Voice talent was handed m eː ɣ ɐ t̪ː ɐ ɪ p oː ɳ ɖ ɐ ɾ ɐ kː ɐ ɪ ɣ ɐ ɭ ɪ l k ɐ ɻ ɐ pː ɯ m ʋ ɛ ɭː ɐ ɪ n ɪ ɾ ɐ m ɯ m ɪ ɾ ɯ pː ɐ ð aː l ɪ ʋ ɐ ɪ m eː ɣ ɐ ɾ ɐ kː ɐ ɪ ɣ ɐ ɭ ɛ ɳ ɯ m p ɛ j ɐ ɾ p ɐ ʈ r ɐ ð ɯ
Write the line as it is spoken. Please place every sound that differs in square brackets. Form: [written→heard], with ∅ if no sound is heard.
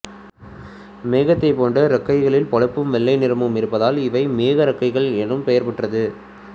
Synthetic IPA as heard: m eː ɣ ɐ t̪ː ɐ ɪ p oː ɳ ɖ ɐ ɾ ɐ kː ɐ ɪ ɣ ɐ ɭ ɪ l [k→p] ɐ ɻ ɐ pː ɯ m ʋ ɛ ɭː ɐ ɪ n ɪ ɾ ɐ m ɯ m ɪ ɾ ɯ pː ɐ ð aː l ɪ ʋ ɐ ɪ m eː ɣ ɐ ɾ ɐ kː ɐ ɪ ɣ ɐ ɭ ɛ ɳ ɯ m p ɛ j ɐ ɾ p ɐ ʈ r ɐ ð ɯ

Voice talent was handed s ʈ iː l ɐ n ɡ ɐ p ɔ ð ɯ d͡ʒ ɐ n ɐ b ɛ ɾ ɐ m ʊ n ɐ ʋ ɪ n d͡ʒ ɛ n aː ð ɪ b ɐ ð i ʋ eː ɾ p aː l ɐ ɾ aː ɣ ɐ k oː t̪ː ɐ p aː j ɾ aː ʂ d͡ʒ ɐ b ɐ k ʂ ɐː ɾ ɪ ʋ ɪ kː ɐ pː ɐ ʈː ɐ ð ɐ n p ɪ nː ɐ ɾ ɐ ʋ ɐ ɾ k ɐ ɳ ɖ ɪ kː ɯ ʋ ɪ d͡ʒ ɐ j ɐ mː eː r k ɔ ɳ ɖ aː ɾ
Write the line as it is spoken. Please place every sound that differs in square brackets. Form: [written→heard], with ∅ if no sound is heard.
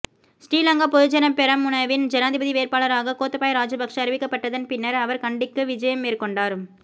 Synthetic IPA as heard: s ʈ iː l ɐ [n→ŋ] ɡ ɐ p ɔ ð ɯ d͡ʒ ɐ n ɐ [b→p] ɛ ɾ ɐ m ʊ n ɐ ʋ ɪ n d͡ʒ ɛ n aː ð ɪ b ɐ ð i ʋ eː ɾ p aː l ɐ ɾ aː ɣ ɐ k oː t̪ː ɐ p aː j ɾ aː [ʂ→∅] d͡ʒ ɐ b ɐ k ʂ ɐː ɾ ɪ ʋ ɪ kː ɐ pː ɐ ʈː ɐ ð ɐ n p ɪ nː ɐ ɾ ɐ ʋ ɐ ɾ k ɐ ɳ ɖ ɪ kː ɯ ʋ ɪ d͡ʒ ɐ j ɐ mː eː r k ɔ ɳ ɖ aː ɾ

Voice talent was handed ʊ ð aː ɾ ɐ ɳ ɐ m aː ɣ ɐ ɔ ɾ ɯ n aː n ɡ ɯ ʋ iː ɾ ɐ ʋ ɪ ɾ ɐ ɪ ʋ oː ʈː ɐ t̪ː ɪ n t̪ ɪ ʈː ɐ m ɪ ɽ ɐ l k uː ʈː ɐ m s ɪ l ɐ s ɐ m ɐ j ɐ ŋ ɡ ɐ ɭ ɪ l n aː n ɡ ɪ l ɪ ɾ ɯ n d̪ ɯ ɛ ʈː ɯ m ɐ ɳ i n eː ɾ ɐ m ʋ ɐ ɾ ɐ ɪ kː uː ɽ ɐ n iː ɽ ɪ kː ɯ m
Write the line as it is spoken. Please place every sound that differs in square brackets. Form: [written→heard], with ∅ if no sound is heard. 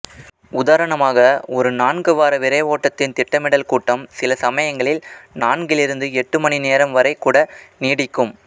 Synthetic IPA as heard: ʊ ð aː ɾ ɐ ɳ ɐ m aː ɣ ɐ ɔ ɾ ɯ n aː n ɡ ɯ ʋ [iː→aː] ɾ ɐ ʋ ɪ ɾ ɐ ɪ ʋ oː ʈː ɐ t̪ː ɪ n t̪ ɪ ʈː ɐ m ɪ ɽ ɐ l k uː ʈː ɐ m s ɪ l ɐ s ɐ m ɐ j ɐ ŋ ɡ ɐ ɭ ɪ l n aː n ɡ ɪ l ɪ ɾ ɯ n d̪ ɯ ɛ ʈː ɯ m ɐ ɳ i n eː ɾ ɐ m ʋ ɐ ɾ ɐ ɪ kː uː ɽ ɐ n iː ɽ ɪ kː ɯ m

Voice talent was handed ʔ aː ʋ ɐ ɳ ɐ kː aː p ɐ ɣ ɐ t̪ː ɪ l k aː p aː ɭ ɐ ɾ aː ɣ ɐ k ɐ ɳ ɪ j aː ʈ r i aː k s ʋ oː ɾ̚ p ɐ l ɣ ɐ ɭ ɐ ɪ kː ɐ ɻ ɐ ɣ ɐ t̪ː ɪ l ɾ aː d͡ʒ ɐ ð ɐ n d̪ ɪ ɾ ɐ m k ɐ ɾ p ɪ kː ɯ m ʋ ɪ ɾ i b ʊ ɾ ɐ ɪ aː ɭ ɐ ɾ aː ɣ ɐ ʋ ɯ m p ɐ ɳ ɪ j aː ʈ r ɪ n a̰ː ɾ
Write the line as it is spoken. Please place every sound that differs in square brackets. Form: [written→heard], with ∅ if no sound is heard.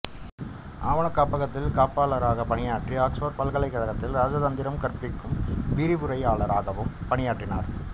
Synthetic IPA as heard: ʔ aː ʋ ɐ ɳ ɐ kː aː p ɐ ɣ ɐ t̪ː ɪ l k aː p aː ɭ ɐ ɾ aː ɣ ɐ [k→p] ɐ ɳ ɪ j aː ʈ r i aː k s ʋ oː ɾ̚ p ɐ l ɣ ɐ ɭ ɐ ɪ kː ɐ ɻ ɐ ɣ ɐ t̪ː ɪ l ɾ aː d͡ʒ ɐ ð ɐ n d̪ ɪ ɾ ɐ m k ɐ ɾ p ɪ kː ɯ m ʋ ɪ ɾ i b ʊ ɾ ɐ ɪ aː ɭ ɐ ɾ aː ɣ ɐ ʋ ɯ m p ɐ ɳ ɪ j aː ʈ r ɪ n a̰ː ɾ

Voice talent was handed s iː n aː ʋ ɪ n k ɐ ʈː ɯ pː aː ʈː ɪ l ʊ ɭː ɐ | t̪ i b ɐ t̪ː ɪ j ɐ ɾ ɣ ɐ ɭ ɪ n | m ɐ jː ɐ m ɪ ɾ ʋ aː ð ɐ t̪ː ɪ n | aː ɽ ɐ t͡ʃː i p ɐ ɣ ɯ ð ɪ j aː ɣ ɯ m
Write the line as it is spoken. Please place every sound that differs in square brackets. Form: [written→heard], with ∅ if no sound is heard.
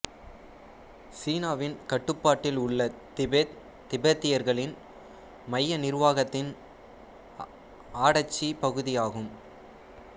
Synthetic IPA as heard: s iː n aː ʋ ɪ n k ɐ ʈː ɯ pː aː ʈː ɪ l ʊ ɭː ɐ | t̪ [i→ɪ] b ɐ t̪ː ɪ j ɐ ɾ ɣ ɐ ɭ ɪ n | m ɐ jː ɐ [m→n] ɪ ɾ ʋ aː [ð→ɣ] ɐ t̪ː ɪ n | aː ɽ ɐ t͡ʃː i p ɐ ɣ ɯ ð ɪ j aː ɣ ɯ m

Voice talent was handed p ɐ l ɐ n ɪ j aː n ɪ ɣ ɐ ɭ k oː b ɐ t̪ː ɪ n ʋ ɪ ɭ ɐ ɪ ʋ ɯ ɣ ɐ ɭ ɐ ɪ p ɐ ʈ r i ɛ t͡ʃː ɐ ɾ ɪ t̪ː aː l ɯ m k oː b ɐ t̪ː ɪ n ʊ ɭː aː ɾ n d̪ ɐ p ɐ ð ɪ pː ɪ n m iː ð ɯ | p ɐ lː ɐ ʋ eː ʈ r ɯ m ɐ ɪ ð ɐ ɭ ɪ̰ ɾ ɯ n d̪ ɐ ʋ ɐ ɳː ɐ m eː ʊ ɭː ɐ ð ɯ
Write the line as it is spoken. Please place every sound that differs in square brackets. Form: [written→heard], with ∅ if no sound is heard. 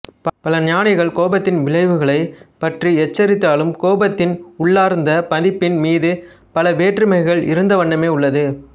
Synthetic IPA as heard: p ɐ l ɐ n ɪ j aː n ɪ ɣ ɐ ɭ k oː b ɐ t̪ː ɪ n ʋ ɪ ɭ ɐ ɪ ʋ ɯ ɣ ɐ ɭ ɐ ɪ p ɐ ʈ r i ɛ t͡ʃː ɐ ɾ ɪ t̪ː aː l ɯ m k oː b ɐ t̪ː ɪ n ʊ ɭː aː ɾ n d̪ ɐ p ɐ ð ɪ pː ɪ n m iː ð ɯ | p ɐ [lː→l] ɐ ʋ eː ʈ r ɯ m ɐ ɪ [ð→ɣ] ɐ ɭ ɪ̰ ɾ ɯ n d̪ ɐ ʋ ɐ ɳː ɐ m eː ʊ ɭː ɐ ð ɯ

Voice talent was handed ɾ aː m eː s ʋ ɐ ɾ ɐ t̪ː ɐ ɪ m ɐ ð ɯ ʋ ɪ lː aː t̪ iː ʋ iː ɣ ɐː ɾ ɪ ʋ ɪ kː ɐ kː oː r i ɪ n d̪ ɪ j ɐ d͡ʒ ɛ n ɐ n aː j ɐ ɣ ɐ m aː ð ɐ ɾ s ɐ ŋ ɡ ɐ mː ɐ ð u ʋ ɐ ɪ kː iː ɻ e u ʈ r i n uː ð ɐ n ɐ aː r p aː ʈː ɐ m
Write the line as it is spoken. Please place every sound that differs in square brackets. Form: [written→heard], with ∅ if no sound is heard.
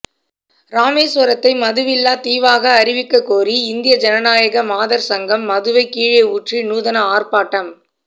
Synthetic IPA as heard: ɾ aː m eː s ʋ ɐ ɾ ɐ t̪ː ɐ ɪ m ɐ ð ɯ ʋ ɪ lː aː t̪ iː ʋ [iː→aː] ɣ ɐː ɾ ɪ ʋ ɪ kː ɐ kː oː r i ɪ n d̪ ɪ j ɐ d͡ʒ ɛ n ɐ n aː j ɐ ɣ ɐ m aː ð ɐ ɾ s ɐ ŋ ɡ ɐ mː ɐ ð [u→ɯ] ʋ ɐ ɪ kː iː ɻ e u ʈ r i n uː ð ɐ n ɐ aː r p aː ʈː ɐ m

